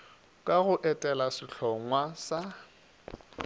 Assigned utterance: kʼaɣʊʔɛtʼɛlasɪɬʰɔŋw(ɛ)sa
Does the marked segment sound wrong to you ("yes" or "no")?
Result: yes